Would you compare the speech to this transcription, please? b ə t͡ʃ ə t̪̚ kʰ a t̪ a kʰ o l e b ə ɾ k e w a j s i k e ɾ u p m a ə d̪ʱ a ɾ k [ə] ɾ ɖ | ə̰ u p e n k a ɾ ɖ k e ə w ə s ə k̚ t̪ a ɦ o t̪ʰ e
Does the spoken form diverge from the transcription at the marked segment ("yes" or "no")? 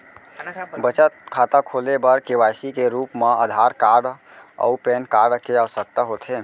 yes